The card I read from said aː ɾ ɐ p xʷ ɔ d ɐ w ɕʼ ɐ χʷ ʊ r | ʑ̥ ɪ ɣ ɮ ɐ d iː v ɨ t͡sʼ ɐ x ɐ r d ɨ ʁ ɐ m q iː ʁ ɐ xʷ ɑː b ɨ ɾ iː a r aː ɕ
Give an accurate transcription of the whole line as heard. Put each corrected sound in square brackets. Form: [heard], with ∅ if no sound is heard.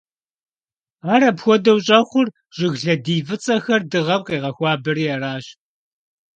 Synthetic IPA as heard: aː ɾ ɐ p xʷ ɔ d ɐ w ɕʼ ɐ χʷ ʊ r | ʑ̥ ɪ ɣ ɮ ɐ d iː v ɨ t͡sʼ ɐ x ɐ r d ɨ ʁ ɐ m q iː ʁ ɐ xʷ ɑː b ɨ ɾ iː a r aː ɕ

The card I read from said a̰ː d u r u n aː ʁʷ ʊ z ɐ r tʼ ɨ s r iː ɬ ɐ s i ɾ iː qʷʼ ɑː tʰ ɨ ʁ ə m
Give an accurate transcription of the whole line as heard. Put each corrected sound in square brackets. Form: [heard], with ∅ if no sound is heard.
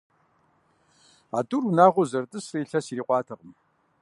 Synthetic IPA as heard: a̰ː d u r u n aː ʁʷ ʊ z ɐ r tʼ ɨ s r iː ɬ ɐ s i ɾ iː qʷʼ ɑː tʰ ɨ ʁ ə m

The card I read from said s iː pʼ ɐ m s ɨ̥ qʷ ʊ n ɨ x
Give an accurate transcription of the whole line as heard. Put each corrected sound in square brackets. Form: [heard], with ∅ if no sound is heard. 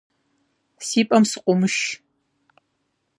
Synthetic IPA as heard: s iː pʼ ɐ m s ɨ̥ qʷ ʊ [m] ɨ [ʃ]

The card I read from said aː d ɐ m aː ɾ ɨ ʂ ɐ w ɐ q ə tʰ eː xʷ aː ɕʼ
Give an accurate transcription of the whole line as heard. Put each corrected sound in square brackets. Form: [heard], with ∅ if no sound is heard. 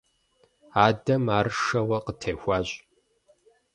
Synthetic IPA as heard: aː d ɐ m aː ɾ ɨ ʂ ɐ w ɐ q ə tʰ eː xʷ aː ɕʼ

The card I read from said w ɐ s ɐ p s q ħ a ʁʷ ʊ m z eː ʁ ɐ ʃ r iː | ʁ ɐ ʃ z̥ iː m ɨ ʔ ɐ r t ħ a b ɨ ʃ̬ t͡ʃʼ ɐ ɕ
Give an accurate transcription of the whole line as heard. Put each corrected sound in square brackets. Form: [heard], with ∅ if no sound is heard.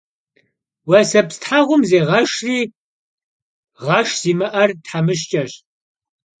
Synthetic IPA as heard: w ɐ s ɐ p s [t] ħ a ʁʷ ʊ m z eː ʁ ɐ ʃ r iː | ʁ ɐ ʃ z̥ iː m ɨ ʔ ɐ r t ħ a [m] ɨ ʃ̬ t͡ʃʼ ɐ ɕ

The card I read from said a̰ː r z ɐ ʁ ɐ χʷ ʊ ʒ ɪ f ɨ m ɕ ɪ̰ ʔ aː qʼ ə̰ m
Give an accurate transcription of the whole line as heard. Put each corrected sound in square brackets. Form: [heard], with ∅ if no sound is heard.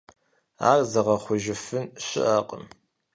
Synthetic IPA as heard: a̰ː r z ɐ ʁ ɐ χʷ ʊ ʒ ɪ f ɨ [n] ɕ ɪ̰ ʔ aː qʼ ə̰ m

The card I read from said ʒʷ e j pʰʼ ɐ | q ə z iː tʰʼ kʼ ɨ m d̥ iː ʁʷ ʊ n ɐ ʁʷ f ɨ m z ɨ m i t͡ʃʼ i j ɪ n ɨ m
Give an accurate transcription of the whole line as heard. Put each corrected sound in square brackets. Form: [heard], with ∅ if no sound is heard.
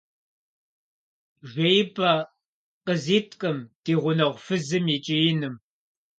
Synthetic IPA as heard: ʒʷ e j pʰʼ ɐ | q ə z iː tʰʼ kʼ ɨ m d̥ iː ʁʷ ʊ n ɐ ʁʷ f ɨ [∅] z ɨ m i t͡ʃʼ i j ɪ n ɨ m

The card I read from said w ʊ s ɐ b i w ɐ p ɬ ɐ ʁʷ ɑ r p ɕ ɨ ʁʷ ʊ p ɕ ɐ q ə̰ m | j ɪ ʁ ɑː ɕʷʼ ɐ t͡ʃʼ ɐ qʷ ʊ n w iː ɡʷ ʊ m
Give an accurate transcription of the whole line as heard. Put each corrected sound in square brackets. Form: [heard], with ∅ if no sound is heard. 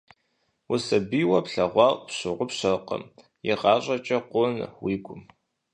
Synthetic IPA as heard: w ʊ s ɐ b i w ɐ p ɬ ɐ ʁʷ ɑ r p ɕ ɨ ʁʷ ʊ p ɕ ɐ q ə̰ m | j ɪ ʁ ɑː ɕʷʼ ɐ t͡ʃʼ ɐ qʷ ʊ n w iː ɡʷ ʊ m

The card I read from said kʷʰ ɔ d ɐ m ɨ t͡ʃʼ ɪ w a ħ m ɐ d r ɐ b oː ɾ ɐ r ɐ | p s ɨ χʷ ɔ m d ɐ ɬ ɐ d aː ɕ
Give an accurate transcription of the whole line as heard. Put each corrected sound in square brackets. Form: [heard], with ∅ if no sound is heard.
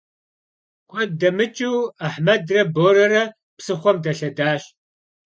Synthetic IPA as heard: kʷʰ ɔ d ɐ m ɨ t͡ʃʼ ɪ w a ħ m ɐ d r ɐ b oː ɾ ɐ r ɐ | p s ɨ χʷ ɔ m d ɐ ɬ ɐ d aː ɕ

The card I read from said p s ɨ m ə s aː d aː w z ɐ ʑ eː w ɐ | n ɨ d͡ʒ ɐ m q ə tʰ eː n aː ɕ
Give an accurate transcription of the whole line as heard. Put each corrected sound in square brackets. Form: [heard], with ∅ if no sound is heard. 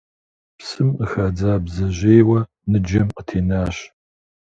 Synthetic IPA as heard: p s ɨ m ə [x] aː [d͡z] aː [b] z ɐ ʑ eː w ɐ | n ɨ d͡ʒ ɐ m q ə tʰ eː n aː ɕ

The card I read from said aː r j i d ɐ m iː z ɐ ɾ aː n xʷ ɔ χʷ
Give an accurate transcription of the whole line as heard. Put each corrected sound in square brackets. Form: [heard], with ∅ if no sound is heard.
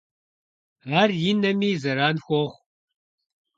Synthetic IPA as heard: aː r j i [n] ɐ m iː z ɐ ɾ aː n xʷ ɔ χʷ

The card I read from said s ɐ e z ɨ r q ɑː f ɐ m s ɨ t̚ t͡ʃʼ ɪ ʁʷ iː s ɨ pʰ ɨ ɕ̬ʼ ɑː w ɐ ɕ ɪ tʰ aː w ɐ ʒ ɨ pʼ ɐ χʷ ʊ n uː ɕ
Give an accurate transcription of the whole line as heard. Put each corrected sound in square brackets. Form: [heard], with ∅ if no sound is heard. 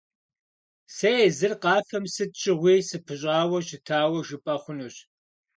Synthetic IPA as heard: s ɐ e z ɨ r q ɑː f ɐ m s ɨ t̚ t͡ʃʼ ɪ ʁʷ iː s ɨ pʰ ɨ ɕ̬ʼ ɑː w ɐ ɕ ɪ tʰ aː w ɐ ʒ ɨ pʼ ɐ χʷ ʊ n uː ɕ

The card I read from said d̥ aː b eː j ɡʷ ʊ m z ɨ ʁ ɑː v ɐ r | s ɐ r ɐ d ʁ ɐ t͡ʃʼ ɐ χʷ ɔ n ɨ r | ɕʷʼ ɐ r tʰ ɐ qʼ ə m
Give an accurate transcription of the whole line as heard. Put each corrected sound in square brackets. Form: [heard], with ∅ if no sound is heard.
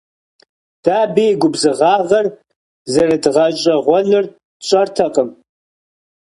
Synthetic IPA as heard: d̥ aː b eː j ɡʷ ʊ [b] z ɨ ʁ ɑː [ʁ] ɐ r | [z] ɐ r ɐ d ʁ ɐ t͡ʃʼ ɐ [ʁʷ] ɔ n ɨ r | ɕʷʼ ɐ r tʰ ɐ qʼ ə m

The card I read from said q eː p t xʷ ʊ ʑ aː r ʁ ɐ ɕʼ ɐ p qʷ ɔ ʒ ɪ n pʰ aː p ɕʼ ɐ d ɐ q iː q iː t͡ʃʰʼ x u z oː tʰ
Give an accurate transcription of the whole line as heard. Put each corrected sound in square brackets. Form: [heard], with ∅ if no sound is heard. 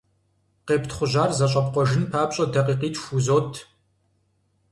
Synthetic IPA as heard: q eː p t [χʷ] ʊ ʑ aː r [z] ɐ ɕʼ ɐ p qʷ ɔ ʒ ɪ n pʰ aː p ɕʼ ɐ d ɐ q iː q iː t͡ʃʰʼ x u z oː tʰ

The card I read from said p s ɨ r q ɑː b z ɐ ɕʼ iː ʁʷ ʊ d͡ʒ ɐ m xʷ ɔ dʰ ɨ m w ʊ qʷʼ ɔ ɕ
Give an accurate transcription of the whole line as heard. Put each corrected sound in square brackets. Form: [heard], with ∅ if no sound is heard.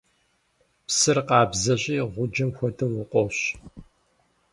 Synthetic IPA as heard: p s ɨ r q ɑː b z ɐ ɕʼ iː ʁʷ ʊ d͡ʒ ɐ m xʷ ɔ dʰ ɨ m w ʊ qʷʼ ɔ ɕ

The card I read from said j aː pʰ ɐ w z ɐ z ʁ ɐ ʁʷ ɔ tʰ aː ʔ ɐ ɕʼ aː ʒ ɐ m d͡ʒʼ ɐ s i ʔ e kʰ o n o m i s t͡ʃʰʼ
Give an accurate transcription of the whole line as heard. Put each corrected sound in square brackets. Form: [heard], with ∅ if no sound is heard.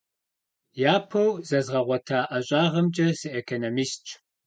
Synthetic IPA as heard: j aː pʰ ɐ w z ɐ z ʁ ɐ ʁʷ ɔ tʰ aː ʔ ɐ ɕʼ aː [ʁ] ɐ m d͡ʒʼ ɐ s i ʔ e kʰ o n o m i s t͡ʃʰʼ

